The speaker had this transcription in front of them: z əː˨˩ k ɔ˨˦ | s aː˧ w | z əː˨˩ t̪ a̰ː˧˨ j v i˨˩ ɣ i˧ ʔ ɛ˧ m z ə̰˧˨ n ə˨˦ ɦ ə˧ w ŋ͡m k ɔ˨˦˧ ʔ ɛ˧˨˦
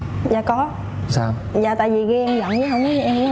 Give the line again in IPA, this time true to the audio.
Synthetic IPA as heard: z aː˨˩ k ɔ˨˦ | s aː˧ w | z aː˨˩ t̪ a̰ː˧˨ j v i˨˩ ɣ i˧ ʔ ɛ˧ m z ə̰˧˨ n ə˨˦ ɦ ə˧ w ŋ͡m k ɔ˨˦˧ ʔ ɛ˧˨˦